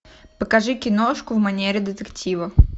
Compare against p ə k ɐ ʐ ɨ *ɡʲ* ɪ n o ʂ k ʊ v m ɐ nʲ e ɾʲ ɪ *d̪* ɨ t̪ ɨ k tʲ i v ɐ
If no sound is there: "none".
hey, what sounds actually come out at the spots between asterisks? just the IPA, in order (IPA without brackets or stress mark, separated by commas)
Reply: kʲ, d̪